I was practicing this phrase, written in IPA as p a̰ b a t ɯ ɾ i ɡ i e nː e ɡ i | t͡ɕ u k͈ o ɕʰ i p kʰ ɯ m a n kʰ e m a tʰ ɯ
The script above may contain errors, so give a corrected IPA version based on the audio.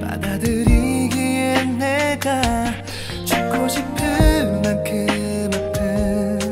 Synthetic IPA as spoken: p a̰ d a d ɯ ɾ i ɡ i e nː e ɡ a | t͡ɕ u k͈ o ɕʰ i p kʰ ɯ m a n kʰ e m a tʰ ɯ

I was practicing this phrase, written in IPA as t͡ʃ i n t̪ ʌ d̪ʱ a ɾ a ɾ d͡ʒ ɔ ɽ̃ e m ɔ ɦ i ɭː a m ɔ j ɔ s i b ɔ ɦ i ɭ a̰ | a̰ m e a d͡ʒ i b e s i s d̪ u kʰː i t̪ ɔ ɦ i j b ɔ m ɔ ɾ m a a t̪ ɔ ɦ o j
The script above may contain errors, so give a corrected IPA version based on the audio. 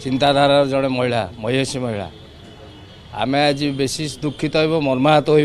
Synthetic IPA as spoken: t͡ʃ i n t̪ a d̪ʱ a ɾ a ɾ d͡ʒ ɔ ɽ̃ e m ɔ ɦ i ɭ a m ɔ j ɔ s i m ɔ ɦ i ɭ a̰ | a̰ m e a d͡ʒ i b e s i s d̪ u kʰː i t̪ ɔ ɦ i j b ɔ m ɔ ɾ m a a t̪ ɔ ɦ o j

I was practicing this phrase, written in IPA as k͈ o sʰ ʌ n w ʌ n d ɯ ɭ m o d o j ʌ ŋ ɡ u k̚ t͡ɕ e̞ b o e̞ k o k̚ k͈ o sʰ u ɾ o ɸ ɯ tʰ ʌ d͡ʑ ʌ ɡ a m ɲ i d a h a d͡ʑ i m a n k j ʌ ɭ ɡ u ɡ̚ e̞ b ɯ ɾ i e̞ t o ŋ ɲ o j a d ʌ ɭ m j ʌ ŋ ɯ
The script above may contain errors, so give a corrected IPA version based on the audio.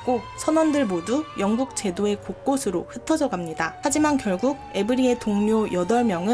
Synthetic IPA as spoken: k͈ o sʰ ʌ n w ʌ n d ɯ ɭ m o d u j ʌ ŋ ɡ u k̚ t͡ɕ e̞ d o e̞ k o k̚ k͈ o sʰ ɯ ɾ o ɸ ɯ tʰ ʌ d͡ʑ ʌ ɡ a m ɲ i d a h a d͡ʑ i m a n k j ʌ ɭ ɡ u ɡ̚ e̞ b ɯ ɾ i e̞ t o ŋ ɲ o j ʌ d ʌ ɭ m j ʌ ŋ ɯ

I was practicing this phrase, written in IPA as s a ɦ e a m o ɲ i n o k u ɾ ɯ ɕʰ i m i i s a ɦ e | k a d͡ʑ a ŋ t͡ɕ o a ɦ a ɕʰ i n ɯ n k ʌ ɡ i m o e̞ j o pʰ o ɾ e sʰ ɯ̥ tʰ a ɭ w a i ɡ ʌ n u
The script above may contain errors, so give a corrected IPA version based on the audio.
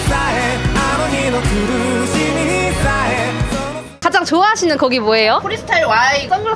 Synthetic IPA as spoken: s a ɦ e a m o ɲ i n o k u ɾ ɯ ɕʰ i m i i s a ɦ e | k a d͡ʑ a ŋ t͡ɕ o a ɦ a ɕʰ i n ɯ n k ʌ ɡ i m o e̞ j o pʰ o ɾ i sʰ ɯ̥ tʰ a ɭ w a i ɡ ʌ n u

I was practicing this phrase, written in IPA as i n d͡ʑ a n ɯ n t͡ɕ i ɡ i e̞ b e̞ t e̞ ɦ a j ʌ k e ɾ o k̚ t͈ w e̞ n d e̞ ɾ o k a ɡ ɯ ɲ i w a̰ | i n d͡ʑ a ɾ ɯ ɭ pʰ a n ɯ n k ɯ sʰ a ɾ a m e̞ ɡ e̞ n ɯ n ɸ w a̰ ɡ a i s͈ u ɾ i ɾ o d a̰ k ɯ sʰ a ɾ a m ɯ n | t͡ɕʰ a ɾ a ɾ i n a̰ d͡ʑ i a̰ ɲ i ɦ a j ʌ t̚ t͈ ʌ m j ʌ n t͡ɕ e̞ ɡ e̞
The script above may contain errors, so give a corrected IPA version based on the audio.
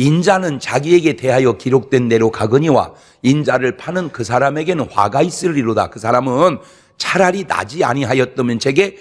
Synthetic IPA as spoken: i n d͡ʑ a n ɯ n t͡ɕ a ɡ i e̞ ɡ e̞ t e̞ ɦ a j ʌ k i ɾ o k̚ t͈ w e̞ n d e̞ ɾ o k a ɡ ɯ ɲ i w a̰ | i n d͡ʑ a ɾ ɯ ɭ pʰ a n ɯ n k ɯ sʰ a ɾ a m e̞ ɡ e̞ n ɯ n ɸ w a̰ ɡ a i s͈ ɯ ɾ i ɾ o d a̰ k ɯ sʰ a ɾ a m ɯ n | t͡ɕʰ a ɾ a ɾ i n a̰ d͡ʑ i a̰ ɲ i ɦ a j ʌ t̚ t͈ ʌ m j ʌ n t͡ɕ e̞ ɡ e̞

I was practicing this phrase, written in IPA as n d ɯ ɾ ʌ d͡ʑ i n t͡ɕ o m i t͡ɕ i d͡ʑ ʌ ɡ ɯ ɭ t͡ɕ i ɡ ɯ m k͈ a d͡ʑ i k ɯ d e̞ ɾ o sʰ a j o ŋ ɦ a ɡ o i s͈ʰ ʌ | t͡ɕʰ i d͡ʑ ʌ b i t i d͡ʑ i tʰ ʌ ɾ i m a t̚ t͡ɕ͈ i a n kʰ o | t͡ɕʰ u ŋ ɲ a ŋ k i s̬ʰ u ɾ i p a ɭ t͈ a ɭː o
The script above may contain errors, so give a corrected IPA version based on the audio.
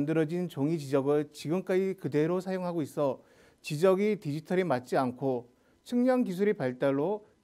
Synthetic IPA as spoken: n d ɯ ɾ ʌ d͡ʑ i n t͡ɕ o ŋ i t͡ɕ i d͡ʑ ʌ ɡ ɯ ɭ t͡ɕ i ɡ ɯ m k͈ a d͡ʑ i k ɯ d e̞ ɾ o sʰ a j o ŋ ɦ a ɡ o i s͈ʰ ʌ | t͡ɕ i d͡ʑ ʌ ɡ i t i d͡ʑ i tʰ ʌ ɾ i m a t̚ t͡ɕ͈ i a n kʰ o | t͡ɕʰ ɯ ŋ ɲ ʌ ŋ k i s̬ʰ u ɾ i p a ɭ t͈ a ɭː o

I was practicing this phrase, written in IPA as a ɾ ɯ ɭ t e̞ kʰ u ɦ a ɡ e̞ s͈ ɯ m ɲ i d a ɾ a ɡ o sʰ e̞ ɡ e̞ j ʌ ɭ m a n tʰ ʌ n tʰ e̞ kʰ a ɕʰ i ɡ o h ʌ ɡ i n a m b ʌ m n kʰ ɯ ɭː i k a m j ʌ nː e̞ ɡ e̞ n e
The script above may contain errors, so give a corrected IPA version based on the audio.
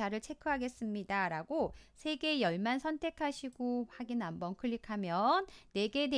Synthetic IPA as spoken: a ɾ ɯ ɭ t͡ɕʰ e̞ kʰ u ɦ a ɡ e̞ s͈ ɯ m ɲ i d a ɾ a ɡ o sʰ e̞ ɡ e̞ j ʌ ɭ m a n sʰ ʌ n tʰ e̞ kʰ a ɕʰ i ɡ o h a ɡ i n a m b ʌ n kʰ ɯ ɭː i kʰ a m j ʌ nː e̞ ɡ e̞ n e

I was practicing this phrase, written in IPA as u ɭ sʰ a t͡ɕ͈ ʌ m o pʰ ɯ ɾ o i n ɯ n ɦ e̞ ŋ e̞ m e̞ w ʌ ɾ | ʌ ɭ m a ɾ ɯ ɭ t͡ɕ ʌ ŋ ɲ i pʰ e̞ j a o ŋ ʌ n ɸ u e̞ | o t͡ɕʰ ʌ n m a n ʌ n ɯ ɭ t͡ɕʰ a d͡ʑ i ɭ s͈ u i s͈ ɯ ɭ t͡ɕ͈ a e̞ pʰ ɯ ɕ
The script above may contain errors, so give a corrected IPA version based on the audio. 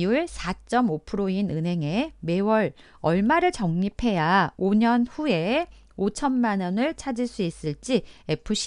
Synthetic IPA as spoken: u ɭ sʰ a t͡ɕ͈ ʌ m o pʰ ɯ ɾ o i n ɯ n ɦ e̞ ŋ e̞ m e̞ w ʌ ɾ | ʌ ɭ m a ɾ ɯ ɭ t͡ɕ ʌ ŋ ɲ i pʰ e̞ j a o ɲ ʌ n ɸ u e̞ | o t͡ɕʰ ʌ n m a n ʌ n ɯ ɭ t͡ɕʰ a d͡ʑ i ɭ s͈ u i s͈ ɯ ɭ t͡ɕ͈ i e̞ pʰ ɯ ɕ

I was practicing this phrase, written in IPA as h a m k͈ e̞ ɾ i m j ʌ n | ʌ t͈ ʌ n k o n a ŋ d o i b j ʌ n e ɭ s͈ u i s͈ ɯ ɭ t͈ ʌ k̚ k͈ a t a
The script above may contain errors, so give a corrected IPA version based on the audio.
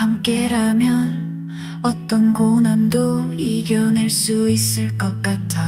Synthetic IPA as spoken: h a m k͈ e̞ ɾ a m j ʌ n | ʌ t͈ ʌ n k o n a n d o i ɡ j ʌ n e ɭ s͈ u i s͈ ɯ ɭ k͈ ʌ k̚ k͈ a tʰ a

